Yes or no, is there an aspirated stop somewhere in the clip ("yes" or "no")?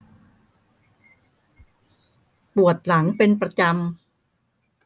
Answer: no